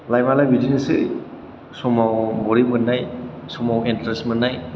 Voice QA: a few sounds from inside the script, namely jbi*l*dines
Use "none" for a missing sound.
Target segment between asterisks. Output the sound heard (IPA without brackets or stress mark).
none